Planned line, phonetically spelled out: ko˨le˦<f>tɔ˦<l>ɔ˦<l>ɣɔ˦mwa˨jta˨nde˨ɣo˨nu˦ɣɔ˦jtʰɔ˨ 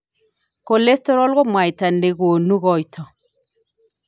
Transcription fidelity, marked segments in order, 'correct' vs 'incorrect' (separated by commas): incorrect, incorrect, correct